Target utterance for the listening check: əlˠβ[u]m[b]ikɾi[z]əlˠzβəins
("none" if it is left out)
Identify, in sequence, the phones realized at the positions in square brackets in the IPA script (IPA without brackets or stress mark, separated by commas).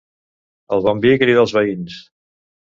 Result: ɔ, b, ð